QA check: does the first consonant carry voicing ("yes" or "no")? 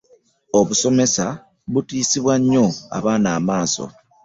yes